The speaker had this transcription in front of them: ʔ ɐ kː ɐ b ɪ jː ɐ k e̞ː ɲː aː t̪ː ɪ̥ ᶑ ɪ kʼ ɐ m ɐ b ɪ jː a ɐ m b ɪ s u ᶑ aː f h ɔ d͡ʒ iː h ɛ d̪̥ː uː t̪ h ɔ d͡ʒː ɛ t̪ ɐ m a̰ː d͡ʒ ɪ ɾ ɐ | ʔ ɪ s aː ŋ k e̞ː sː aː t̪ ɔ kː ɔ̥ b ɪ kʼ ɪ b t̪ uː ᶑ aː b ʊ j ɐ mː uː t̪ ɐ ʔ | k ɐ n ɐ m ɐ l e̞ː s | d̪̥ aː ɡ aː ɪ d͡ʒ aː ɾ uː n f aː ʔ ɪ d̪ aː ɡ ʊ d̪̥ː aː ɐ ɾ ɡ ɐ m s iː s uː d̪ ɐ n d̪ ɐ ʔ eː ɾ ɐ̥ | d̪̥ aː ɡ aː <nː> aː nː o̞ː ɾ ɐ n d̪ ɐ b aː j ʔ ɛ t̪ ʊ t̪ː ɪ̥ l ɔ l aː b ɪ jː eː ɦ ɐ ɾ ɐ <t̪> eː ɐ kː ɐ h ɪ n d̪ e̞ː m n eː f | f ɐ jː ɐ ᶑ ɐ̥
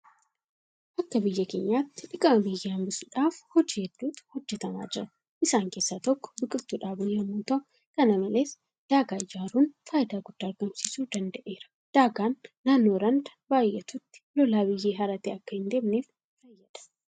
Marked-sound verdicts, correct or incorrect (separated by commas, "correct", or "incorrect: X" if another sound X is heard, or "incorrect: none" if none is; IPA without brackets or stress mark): correct, correct